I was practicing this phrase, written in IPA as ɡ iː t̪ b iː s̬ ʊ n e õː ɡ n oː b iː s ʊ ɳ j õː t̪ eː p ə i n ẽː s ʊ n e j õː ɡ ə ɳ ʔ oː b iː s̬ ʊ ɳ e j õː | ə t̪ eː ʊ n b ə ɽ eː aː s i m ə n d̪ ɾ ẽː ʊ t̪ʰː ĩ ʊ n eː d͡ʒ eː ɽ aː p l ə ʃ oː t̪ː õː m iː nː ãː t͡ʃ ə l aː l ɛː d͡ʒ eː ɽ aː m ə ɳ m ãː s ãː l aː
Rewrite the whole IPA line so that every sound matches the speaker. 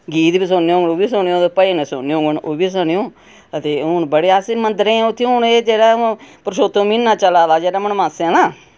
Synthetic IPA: ɡ iː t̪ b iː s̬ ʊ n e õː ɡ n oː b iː s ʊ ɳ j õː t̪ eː p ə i n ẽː s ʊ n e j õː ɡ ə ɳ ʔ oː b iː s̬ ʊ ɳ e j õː | ə t̪ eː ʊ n b ə ɽ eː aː s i m ə n d̪ ɾ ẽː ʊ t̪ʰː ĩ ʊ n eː d͡ʒ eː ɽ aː p ɾ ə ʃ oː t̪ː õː m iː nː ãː t͡ʃ ə l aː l aː d͡ʒ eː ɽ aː m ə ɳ m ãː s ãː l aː